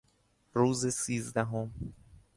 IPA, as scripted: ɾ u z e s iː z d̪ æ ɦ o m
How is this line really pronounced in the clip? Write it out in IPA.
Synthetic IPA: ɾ uː z e s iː z d̪ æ ɦ o m